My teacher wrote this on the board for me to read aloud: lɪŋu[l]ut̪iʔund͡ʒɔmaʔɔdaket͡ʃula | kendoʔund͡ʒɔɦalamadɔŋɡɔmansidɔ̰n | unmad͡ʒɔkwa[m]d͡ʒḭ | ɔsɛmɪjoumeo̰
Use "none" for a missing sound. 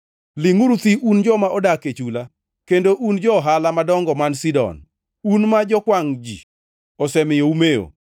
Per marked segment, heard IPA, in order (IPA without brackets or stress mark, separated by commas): ɾ, ŋ